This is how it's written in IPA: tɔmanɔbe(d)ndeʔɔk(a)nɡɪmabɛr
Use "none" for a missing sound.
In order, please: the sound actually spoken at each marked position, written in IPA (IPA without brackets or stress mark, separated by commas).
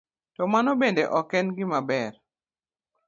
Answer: none, ɛ